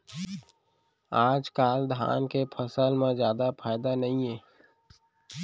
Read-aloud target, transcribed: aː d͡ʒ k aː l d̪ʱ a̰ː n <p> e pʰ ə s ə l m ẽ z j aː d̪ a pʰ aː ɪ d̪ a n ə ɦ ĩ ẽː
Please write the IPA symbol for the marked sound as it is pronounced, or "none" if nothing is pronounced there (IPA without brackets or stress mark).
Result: k